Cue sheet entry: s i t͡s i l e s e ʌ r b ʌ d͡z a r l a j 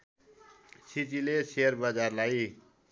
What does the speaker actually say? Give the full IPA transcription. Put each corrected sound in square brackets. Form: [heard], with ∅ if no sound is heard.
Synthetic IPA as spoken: s i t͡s i l e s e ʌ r b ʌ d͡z a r l a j